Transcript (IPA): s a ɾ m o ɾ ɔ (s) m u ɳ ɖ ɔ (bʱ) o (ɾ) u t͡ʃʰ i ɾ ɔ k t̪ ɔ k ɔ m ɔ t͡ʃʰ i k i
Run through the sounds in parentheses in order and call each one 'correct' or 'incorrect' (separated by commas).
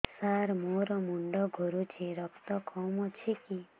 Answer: incorrect, incorrect, correct